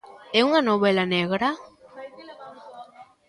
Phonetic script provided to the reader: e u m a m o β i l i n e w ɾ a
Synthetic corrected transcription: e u ŋ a n o β e l a n e ɣ ɾ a